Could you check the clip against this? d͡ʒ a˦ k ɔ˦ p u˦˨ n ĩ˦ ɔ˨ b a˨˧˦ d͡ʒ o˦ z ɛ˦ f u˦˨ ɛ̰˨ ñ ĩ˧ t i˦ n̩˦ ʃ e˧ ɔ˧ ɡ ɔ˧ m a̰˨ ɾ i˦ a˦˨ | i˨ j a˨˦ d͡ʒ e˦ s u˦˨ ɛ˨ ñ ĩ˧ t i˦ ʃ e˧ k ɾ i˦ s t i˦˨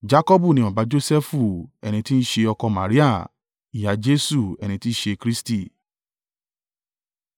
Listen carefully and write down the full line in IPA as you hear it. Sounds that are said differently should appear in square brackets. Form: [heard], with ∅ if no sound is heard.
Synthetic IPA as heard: d͡ʒ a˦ k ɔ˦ [b] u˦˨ n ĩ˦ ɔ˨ b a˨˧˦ d͡ʒ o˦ [s] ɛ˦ f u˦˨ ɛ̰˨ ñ ĩ˧ t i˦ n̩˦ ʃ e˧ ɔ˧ [k] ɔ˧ m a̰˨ ɾ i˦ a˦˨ | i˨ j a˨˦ d͡ʒ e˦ s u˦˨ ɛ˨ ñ ĩ˧ t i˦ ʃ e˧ k ɾ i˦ s t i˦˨